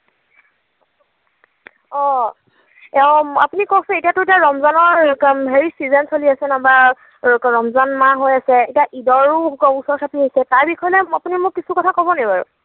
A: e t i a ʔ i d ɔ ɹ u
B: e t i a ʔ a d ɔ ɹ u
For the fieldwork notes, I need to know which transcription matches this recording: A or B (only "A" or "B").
A